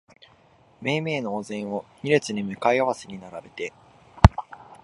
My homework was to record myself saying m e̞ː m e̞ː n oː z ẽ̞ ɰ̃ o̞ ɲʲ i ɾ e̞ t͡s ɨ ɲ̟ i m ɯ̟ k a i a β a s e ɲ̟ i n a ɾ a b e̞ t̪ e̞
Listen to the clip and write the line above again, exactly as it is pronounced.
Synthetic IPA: m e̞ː m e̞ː n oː z ẽ̞ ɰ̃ o̞ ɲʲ i ɾ e̞ t͡s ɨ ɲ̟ i m ɯ̟ k a i a β a s e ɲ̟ i n a ɾ a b e̞ t̪ e̞

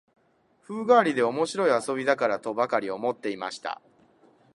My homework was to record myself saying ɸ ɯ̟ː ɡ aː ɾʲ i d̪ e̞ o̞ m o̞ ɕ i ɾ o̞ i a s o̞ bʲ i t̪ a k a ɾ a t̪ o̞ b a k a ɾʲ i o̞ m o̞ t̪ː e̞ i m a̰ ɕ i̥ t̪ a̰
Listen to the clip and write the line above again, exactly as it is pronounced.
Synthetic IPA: ɸ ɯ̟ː ɡ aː ɾʲ i d̪ e̞ o̞ m o̞ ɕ i ɾ o̞ i a s o̞ bʲ i d̪ a k a ɾ a t̪ o̞ b a k a ɾʲ i o̞ m o̞ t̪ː e̞ i m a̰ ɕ i̥ t̪ a̰

